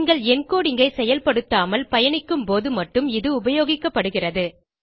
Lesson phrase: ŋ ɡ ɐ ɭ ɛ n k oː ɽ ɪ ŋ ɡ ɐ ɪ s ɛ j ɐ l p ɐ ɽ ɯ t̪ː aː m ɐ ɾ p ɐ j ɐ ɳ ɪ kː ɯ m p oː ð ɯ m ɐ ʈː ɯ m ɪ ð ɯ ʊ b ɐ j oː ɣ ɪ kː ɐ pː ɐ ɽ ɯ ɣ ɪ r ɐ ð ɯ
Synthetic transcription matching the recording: ŋ ɡ ɐ ɭ ɛ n k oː ɽ ɪ ŋ ɡ ɐ ɪ s ɛ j ɐ l p ɐ ɽ ɯ t̪ː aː m ɐ l p ɐ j ɐ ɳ ɪ kː ɯ m p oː ð ɯ m ɐ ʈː ɯ m ɪ ð ɯ ʊ b ɐ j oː ɣ ɪ kː ɐ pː ɐ ɽ ɯ ɣ ɪ r ɐ ð ɯ